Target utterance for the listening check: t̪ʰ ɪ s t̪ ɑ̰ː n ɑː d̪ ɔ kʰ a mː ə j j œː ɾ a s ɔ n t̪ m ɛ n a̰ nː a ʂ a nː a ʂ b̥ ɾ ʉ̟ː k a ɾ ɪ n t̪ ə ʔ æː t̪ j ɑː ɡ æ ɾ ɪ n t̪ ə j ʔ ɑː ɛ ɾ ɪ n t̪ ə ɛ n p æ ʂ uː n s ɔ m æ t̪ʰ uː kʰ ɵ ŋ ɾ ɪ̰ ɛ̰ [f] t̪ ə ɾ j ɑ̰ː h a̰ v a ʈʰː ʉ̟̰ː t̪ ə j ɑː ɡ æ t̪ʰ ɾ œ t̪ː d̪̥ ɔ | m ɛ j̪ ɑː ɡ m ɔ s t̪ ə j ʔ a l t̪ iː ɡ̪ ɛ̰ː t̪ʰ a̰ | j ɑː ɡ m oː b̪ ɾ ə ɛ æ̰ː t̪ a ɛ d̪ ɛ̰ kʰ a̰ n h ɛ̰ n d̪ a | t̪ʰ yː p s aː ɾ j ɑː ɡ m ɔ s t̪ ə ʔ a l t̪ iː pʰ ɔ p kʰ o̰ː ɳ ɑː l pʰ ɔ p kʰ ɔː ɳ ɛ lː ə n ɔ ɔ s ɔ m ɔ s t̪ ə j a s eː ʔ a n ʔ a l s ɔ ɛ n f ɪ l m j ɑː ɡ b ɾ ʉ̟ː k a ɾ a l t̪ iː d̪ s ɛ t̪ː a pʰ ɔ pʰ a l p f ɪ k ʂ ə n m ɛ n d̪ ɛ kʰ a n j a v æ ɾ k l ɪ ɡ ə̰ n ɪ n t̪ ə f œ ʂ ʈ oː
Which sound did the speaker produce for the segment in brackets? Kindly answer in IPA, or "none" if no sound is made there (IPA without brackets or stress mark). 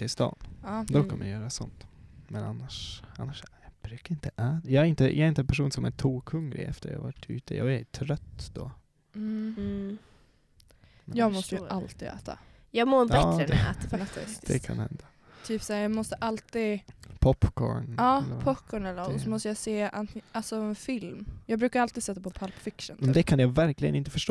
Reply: f